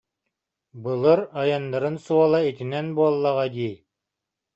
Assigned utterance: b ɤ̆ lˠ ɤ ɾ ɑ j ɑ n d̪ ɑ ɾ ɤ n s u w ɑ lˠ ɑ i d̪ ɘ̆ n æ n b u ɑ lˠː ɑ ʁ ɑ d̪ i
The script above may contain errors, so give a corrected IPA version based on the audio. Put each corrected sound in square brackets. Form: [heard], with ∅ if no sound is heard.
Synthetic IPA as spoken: b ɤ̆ lˠ ɤ ɾ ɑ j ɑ n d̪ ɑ ɾ ɤ n s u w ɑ lˠ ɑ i [t̪] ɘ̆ n æ n b u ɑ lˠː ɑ ʁ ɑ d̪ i